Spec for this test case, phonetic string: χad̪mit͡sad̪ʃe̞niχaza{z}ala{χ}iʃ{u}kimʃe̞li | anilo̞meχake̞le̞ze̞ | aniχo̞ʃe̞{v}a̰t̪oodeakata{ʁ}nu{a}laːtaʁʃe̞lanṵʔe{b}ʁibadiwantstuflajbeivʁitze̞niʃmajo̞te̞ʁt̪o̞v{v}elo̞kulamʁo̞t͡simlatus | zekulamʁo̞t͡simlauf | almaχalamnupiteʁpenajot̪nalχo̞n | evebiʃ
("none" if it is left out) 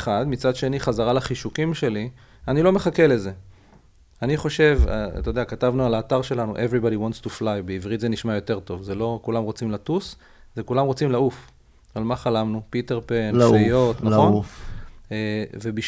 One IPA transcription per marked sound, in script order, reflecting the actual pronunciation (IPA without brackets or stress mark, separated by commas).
ʁ, χ, u, v, v, a, v, z